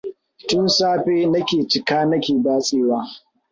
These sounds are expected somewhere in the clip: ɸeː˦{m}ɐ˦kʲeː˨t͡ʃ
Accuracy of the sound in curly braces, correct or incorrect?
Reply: incorrect: n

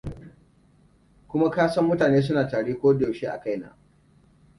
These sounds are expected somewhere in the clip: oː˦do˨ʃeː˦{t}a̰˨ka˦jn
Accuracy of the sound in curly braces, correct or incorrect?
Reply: incorrect: ʔ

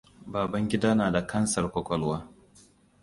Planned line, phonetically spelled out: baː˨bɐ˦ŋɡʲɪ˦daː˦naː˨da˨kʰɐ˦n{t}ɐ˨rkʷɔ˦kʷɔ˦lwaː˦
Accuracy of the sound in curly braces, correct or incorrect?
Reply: incorrect: s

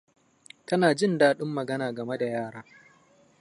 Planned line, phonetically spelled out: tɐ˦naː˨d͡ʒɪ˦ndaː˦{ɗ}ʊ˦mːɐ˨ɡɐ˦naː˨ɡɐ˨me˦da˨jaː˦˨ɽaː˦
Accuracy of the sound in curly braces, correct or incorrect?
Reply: correct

